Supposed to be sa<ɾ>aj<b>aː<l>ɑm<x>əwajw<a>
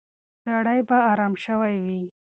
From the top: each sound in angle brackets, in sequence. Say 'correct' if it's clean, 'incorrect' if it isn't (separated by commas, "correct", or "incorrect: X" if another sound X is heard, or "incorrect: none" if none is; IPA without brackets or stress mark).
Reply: incorrect: ɽ, correct, incorrect: ɾ, incorrect: ʃ, incorrect: i